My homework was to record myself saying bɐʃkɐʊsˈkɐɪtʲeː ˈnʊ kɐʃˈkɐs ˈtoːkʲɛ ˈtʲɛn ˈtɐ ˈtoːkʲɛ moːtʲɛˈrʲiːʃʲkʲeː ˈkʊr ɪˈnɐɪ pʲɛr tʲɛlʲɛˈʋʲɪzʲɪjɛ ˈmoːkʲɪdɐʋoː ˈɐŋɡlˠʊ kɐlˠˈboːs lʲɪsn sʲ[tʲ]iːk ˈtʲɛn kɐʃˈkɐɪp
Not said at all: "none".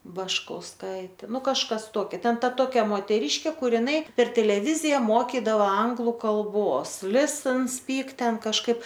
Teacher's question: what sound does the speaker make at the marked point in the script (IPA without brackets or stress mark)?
pʲ